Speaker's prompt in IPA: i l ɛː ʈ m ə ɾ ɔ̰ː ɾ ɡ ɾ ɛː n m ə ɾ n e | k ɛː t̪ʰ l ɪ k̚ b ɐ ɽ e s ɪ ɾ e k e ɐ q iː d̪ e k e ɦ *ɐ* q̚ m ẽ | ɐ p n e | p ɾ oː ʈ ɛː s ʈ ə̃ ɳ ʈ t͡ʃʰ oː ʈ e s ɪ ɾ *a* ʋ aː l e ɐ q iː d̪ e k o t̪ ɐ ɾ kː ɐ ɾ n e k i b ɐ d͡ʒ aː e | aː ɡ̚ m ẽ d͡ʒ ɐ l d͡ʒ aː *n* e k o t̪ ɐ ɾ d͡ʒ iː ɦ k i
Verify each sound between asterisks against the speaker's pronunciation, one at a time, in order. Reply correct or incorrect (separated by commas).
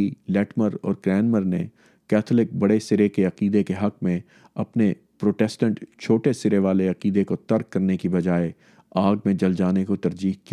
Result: correct, incorrect, correct